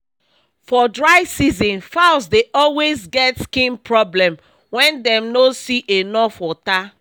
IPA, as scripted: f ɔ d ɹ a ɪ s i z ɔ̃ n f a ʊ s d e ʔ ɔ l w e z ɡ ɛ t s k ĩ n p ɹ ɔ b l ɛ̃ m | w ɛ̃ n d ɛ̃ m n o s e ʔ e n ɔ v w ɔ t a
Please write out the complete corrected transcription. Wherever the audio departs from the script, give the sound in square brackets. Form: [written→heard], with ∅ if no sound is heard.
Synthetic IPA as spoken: f ɔ d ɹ a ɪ s i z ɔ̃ n f a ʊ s d e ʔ ɔ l w e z ɡ ɛ t s k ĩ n p ɹ ɔ b l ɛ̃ m | w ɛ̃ n d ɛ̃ m n o s [e→i] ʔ e n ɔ [v→f] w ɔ t a